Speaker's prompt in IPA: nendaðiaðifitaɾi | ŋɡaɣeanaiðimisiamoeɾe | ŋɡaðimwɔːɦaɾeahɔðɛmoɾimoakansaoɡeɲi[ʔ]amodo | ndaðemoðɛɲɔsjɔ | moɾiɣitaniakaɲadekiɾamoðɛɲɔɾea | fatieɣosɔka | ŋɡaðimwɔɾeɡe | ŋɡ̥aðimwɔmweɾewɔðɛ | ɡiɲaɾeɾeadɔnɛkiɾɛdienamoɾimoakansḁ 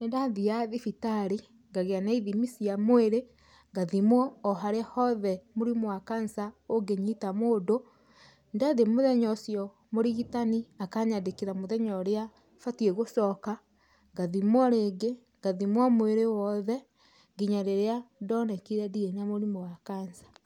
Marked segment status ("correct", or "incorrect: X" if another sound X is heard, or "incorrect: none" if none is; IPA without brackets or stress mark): incorrect: t